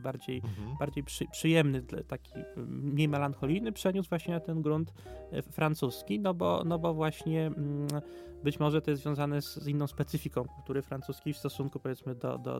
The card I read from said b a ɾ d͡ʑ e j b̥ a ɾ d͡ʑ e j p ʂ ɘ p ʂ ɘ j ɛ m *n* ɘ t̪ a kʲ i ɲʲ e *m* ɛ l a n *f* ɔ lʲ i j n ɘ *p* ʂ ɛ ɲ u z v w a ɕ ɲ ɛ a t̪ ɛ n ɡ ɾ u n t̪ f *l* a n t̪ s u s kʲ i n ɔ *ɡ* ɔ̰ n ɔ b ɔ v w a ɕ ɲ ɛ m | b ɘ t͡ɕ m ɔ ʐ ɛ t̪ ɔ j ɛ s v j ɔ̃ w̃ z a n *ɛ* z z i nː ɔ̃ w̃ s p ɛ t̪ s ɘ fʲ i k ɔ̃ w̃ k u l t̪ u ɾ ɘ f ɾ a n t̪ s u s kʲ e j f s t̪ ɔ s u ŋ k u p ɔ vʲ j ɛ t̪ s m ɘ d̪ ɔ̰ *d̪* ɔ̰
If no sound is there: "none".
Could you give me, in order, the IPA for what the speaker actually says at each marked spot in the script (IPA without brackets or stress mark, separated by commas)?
n, m, x, p, ɾ, b, ɛ, d̪